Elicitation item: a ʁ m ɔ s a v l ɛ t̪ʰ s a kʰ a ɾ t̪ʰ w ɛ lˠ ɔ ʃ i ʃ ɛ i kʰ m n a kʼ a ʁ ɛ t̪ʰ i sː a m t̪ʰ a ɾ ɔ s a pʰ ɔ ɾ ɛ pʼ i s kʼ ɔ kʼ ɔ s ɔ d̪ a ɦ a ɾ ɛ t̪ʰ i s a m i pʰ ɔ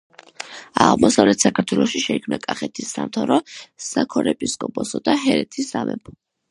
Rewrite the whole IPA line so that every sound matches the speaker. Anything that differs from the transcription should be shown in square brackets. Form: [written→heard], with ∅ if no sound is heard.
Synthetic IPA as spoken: a ʁ m ɔ s a v l ɛ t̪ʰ s a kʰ a ɾ t̪ʰ w ɛ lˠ ɔ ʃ i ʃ ɛ i kʰ m n a kʼ a [ʁ→χ] ɛ t̪ʰ i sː a m t̪ʰ a ɾ ɔ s a [pʰ→kʰ] ɔ ɾ ɛ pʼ i s kʼ ɔ [kʼ→pʼ] ɔ s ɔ d̪ a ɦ [a→ɛ] ɾ ɛ t̪ʰ i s a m [i→ɛ] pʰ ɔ